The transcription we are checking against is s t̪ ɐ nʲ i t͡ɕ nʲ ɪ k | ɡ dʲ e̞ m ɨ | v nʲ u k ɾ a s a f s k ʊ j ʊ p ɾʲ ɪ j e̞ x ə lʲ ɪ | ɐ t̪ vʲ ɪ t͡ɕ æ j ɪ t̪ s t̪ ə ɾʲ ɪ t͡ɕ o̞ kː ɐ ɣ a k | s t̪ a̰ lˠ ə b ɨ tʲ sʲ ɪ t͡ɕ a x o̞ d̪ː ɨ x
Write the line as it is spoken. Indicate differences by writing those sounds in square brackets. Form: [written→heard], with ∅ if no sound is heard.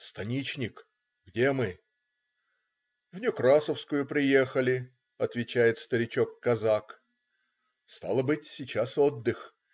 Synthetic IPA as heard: s t̪ ɐ nʲ i t͡ɕ nʲ ɪ k | ɡ dʲ e̞ m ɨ | v nʲ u k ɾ a s [a→ə] f s k ʊ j ʊ p ɾʲ ɪ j e̞ x ə lʲ ɪ | ɐ t̪ vʲ ɪ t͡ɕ æ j ɪ t̪ s t̪ ə ɾʲ ɪ t͡ɕ o̞ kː ɐ [ɣ→z] a k | s t̪ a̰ lˠ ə b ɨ tʲ sʲ ɪ t͡ɕ a [x→s] o̞ d̪ː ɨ x